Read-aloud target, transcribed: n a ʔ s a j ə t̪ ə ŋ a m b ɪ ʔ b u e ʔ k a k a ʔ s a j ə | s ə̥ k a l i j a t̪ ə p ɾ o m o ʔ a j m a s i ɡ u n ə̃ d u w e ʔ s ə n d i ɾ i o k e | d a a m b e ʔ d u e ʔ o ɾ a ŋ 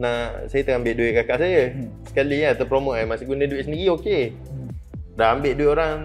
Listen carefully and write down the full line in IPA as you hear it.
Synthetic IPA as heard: n a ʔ s a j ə t̪ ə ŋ a m b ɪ ʔ d u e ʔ k a k a ʔ s a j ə | s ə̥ k a l i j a t̪ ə p ɾ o m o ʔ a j m a s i ɡ u n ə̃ d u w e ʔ s ə n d i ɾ i o k e | d a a m b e ʔ d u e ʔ o ɾ a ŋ